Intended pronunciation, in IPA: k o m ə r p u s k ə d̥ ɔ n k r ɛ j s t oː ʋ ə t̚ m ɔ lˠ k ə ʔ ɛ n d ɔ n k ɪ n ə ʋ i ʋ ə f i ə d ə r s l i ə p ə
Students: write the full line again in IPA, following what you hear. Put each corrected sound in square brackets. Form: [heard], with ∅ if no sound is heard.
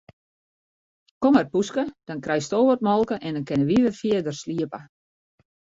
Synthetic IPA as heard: k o m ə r p u s k ə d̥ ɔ n k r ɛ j s t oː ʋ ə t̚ m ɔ lˠ k ə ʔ ɛ n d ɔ n k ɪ n ə ʋ i ʋ ə f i ə d ə r s l i ə p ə